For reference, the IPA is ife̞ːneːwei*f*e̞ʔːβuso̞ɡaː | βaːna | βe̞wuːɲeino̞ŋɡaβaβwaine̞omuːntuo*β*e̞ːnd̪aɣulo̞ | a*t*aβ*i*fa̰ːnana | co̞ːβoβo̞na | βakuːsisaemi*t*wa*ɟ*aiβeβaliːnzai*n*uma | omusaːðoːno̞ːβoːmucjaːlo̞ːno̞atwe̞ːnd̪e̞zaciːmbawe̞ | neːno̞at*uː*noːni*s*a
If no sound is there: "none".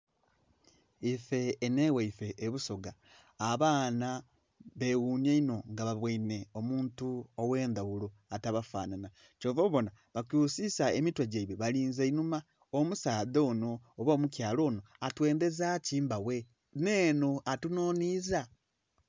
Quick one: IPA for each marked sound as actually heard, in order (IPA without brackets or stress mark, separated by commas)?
f, w, t, a, t, ɟ, n, u, z